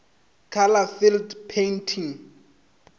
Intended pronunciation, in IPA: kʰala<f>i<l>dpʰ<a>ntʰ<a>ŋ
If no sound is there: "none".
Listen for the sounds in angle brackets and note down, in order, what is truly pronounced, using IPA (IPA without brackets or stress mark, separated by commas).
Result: f, l, e, i